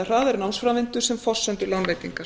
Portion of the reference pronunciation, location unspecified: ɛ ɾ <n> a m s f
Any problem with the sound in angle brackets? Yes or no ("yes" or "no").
no